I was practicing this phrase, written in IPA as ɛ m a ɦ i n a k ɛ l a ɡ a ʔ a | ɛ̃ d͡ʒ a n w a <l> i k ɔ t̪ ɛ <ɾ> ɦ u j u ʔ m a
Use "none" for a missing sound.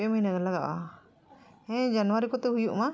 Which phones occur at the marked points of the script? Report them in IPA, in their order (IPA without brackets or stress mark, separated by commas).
ɾ, none